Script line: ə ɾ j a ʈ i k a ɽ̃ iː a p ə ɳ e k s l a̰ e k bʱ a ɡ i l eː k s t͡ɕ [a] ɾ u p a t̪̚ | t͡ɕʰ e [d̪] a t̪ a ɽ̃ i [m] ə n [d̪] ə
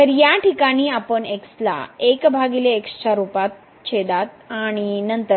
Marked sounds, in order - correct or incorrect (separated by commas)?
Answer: correct, correct, incorrect, incorrect